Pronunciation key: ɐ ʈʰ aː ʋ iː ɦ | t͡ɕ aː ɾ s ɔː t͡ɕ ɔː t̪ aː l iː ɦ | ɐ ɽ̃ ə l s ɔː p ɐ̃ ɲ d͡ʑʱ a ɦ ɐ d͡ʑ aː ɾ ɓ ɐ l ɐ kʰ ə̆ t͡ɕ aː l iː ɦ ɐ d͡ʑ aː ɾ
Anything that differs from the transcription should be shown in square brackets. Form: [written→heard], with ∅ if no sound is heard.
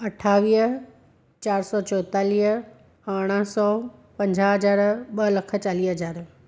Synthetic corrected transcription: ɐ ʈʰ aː ʋ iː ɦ | t͡ɕ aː ɾ s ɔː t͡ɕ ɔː t̪ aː l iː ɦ | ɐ ɽ̃ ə [l→∅] s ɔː p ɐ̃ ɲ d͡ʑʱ a ɦ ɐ d͡ʑ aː ɾ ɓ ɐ l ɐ kʰ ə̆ t͡ɕ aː l iː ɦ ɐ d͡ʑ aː ɾ